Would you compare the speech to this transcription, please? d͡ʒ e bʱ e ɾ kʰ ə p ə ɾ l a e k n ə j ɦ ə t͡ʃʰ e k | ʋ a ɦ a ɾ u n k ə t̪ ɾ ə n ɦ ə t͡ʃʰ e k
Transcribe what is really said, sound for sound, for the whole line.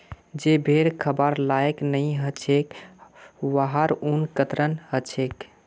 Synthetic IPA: d͡ʒ e bʱ e ɾ kʰ ə b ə ɾ l a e k n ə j ɦ ə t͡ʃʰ e k | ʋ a ɦ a ɾ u n k ə t̪ ɾ ə n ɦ ə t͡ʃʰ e k